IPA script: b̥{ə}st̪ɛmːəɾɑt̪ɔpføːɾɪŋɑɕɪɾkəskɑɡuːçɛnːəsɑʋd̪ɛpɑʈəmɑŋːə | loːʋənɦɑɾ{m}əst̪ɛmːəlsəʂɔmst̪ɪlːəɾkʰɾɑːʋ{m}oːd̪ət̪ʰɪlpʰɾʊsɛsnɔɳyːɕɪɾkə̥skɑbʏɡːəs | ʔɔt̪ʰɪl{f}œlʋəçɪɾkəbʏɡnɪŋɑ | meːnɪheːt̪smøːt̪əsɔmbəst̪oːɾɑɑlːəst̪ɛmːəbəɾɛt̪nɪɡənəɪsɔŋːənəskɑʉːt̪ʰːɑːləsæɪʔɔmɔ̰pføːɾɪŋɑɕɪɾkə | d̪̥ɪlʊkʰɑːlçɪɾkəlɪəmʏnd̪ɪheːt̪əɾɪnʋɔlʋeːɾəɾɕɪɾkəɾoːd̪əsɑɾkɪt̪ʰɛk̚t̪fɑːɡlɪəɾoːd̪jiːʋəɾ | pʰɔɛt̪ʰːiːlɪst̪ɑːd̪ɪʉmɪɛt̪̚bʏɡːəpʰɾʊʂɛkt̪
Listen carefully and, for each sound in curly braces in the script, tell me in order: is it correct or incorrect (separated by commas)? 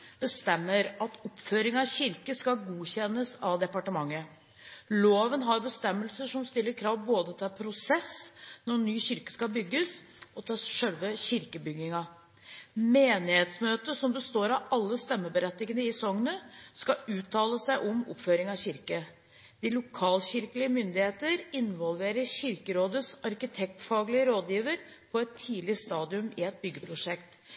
correct, incorrect, incorrect, incorrect